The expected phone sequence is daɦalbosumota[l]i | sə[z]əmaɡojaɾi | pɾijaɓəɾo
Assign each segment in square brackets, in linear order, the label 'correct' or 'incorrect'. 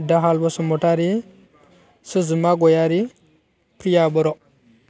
incorrect, correct

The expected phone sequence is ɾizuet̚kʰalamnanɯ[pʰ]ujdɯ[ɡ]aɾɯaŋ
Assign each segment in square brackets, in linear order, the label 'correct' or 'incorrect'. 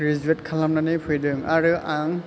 correct, incorrect

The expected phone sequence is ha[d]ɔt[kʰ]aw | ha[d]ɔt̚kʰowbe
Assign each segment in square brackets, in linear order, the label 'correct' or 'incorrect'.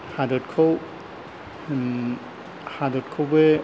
correct, correct, correct

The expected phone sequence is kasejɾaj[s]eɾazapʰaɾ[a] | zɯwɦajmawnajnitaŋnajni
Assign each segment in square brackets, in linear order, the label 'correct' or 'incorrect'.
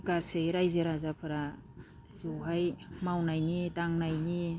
incorrect, correct

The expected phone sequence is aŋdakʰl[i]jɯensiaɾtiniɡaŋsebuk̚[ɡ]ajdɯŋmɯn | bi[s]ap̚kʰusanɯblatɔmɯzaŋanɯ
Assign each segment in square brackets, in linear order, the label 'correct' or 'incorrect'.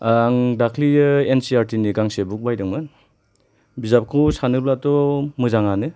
correct, incorrect, incorrect

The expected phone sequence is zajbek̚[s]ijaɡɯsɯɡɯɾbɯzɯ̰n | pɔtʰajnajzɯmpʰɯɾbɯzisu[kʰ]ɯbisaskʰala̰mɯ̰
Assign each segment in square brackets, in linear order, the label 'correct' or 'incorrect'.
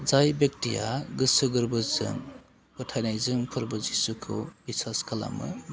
incorrect, correct

